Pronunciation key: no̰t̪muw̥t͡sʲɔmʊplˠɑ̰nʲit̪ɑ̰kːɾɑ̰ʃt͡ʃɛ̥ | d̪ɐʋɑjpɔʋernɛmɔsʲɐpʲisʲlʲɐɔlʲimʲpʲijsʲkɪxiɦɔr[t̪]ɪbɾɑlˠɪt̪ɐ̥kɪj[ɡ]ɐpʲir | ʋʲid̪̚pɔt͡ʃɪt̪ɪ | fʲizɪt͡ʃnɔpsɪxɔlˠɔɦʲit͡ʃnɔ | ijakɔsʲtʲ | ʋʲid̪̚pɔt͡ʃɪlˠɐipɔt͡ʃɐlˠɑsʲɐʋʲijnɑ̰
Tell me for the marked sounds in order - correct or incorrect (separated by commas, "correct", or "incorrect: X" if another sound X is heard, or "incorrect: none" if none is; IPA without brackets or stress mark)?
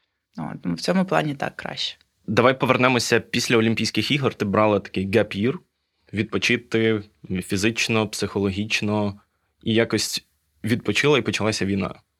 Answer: correct, correct